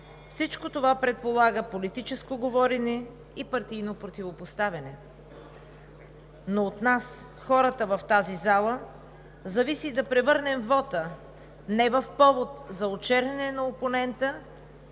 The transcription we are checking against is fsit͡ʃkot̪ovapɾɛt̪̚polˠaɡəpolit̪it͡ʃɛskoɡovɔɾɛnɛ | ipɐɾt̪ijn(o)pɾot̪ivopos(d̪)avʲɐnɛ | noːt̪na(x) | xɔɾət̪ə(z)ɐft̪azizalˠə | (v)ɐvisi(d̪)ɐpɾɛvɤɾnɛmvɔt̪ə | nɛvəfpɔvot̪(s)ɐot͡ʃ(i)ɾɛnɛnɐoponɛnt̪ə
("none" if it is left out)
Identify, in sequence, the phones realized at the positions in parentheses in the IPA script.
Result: o, t̪, s, v, z, d̪, z, ɛ

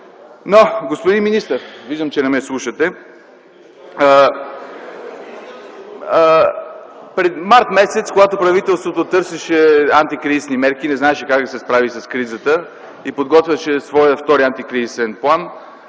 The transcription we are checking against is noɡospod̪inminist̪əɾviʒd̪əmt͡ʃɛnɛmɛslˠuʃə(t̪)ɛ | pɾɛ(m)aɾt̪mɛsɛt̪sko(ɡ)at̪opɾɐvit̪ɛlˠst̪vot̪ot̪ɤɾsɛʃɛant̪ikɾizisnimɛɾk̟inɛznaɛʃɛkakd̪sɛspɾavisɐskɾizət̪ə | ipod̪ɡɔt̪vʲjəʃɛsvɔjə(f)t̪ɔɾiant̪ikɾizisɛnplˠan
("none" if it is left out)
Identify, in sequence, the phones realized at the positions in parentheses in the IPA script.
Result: t̪, m, ɡ, f

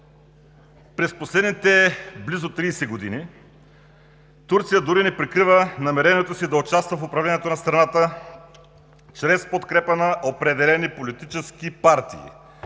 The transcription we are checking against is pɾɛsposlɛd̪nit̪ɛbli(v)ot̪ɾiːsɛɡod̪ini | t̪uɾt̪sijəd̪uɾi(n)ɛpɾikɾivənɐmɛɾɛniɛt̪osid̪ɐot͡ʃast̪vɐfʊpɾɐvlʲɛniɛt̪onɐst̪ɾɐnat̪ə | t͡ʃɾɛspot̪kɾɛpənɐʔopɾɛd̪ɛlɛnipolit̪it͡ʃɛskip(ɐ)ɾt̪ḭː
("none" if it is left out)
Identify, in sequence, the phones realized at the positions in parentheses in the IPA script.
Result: z, n, a

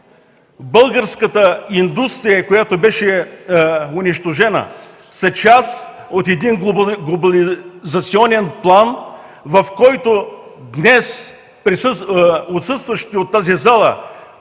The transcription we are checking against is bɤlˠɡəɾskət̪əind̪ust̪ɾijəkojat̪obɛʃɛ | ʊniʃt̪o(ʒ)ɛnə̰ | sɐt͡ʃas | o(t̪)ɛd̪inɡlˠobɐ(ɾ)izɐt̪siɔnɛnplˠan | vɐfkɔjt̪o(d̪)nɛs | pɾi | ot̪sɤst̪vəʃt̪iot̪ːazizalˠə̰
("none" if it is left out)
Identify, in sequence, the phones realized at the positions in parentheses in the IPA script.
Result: ʒ, t̪, l, d̪

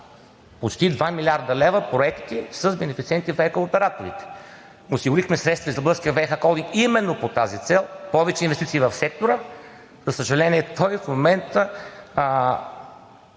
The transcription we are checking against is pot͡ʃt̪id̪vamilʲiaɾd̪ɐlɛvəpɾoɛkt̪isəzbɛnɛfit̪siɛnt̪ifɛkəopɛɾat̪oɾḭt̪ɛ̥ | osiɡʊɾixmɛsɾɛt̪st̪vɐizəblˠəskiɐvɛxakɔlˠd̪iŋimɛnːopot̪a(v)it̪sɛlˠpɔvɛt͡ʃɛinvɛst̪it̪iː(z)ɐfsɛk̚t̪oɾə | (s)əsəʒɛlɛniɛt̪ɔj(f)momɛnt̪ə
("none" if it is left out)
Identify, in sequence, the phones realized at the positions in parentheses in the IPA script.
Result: z, v, z, f

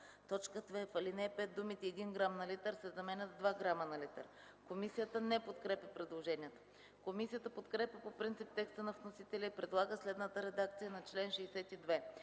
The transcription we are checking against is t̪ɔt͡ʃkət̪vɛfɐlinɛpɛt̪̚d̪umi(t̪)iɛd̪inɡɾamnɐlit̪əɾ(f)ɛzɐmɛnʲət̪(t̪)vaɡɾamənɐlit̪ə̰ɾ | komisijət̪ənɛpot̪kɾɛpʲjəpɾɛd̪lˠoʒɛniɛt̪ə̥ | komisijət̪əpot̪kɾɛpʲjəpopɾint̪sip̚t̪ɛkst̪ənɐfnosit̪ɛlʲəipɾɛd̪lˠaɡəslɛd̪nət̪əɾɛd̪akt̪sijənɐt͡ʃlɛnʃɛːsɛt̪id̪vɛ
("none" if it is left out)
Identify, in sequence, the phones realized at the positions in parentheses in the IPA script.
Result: t̪, s, d̪

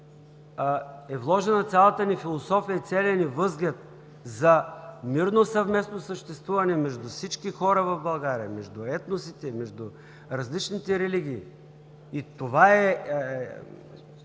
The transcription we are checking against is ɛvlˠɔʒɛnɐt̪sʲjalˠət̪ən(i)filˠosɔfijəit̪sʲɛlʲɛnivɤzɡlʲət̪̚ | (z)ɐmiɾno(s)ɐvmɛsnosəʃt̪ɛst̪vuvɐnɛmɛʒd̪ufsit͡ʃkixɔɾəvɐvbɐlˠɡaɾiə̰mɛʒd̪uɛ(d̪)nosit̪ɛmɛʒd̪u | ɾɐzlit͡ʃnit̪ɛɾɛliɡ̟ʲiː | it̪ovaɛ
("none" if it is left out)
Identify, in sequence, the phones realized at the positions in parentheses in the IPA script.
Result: i, z, s, t̪

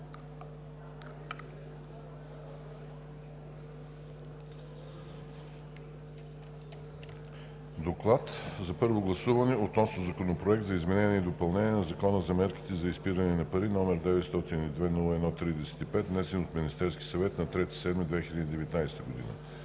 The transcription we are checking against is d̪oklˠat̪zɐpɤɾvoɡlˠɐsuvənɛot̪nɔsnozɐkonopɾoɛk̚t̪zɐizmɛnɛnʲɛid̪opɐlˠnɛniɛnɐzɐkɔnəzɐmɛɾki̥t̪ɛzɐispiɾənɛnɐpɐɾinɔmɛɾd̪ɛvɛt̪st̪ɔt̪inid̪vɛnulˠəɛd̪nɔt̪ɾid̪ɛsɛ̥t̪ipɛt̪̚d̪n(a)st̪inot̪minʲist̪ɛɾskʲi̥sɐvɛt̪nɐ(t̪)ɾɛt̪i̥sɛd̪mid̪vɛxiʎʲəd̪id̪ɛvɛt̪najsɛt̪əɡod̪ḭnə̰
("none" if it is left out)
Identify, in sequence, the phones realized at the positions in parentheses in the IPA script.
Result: ɛ, t̪

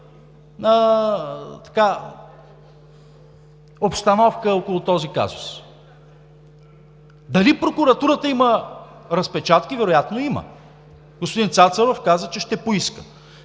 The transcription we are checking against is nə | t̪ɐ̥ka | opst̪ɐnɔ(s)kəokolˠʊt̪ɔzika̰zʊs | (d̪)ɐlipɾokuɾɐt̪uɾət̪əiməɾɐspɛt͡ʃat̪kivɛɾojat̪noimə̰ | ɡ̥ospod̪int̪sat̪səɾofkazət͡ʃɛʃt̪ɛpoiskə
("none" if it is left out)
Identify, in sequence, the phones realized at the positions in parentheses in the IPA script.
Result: f, d̪

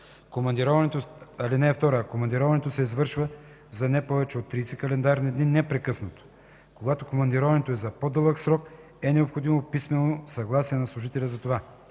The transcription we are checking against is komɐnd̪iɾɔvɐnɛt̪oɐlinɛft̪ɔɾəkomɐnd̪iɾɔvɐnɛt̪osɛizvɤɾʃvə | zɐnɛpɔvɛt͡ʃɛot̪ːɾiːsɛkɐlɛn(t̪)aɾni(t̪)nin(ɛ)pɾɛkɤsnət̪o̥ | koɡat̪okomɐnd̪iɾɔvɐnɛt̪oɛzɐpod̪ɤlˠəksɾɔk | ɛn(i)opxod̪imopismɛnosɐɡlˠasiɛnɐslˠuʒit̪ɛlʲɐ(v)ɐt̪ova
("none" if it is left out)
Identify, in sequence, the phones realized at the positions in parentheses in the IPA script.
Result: d̪, d̪, ɛ, ɛ, z

